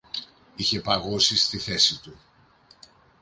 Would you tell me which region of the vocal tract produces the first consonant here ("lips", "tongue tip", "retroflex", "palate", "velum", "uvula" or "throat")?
palate